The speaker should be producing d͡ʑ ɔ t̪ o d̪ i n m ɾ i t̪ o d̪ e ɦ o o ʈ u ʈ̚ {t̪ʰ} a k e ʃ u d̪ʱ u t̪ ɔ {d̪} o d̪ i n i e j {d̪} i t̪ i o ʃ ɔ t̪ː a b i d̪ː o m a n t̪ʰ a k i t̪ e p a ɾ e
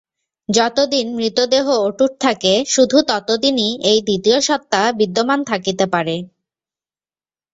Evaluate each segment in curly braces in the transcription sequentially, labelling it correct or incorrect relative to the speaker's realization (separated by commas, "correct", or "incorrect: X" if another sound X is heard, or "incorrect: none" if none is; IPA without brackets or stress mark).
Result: correct, incorrect: t̪, correct